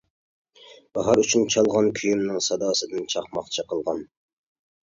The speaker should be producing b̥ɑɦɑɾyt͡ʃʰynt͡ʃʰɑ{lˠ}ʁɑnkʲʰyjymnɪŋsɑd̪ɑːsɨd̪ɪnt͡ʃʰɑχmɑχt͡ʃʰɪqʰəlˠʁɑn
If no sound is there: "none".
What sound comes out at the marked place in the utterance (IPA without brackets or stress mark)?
lˠ